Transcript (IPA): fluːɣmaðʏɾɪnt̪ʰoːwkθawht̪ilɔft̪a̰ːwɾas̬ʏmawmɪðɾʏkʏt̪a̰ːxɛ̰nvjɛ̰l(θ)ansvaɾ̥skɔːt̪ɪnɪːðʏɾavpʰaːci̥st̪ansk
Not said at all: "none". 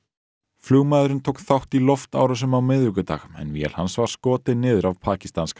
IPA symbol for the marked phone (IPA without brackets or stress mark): h